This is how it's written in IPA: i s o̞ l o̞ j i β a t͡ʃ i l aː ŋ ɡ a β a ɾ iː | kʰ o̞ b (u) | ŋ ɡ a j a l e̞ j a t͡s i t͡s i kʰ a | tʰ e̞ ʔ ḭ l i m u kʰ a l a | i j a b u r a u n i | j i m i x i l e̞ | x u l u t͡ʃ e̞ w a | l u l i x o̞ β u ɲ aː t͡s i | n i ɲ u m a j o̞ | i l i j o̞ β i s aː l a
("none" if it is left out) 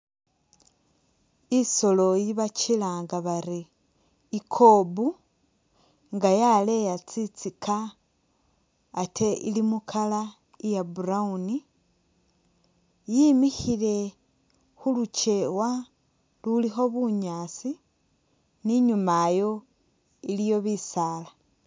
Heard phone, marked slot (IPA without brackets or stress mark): u